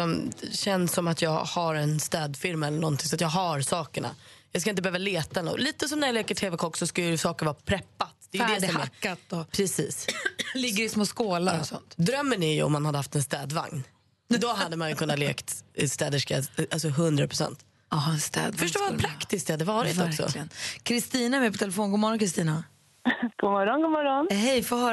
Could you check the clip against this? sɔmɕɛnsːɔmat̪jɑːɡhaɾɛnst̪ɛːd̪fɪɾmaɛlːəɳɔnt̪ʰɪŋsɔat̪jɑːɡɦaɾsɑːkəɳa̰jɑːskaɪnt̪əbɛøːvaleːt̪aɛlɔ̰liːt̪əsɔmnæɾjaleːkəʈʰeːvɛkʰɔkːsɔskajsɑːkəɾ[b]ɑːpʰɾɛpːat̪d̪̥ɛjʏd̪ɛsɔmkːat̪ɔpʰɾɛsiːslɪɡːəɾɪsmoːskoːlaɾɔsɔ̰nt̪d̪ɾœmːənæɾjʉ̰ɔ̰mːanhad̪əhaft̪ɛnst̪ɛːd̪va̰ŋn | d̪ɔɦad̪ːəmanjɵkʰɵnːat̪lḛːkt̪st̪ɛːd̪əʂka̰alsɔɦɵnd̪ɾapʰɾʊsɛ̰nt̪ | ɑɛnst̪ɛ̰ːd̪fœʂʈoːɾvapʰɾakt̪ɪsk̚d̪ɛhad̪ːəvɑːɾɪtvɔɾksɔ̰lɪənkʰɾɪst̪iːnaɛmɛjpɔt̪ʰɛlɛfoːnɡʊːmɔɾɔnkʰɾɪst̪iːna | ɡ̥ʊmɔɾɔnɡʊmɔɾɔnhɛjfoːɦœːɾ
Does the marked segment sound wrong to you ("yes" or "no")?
yes